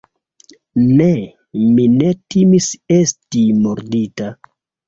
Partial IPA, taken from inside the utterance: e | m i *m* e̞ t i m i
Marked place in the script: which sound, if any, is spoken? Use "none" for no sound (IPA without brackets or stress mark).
n